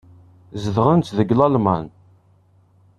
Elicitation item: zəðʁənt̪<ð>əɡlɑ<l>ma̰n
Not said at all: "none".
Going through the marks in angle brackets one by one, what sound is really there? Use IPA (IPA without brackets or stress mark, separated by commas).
ð, l